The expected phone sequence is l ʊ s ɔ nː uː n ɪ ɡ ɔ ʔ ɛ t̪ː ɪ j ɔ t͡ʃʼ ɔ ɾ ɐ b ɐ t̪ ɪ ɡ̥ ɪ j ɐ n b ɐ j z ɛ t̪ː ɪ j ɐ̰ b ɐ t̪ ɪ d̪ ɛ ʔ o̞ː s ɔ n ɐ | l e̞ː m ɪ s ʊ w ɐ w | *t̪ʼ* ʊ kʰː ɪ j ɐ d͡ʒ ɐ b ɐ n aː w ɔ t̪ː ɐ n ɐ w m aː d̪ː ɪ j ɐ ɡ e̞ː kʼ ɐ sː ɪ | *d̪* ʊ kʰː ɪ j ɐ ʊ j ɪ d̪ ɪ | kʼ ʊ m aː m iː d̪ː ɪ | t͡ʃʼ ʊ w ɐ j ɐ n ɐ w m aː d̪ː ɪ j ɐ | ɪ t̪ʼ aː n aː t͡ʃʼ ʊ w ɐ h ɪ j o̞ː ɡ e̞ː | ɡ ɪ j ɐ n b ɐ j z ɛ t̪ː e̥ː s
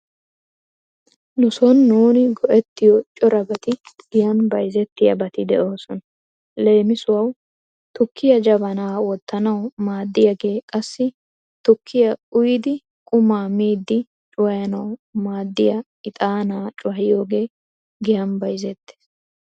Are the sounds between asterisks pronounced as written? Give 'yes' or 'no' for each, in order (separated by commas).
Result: no, no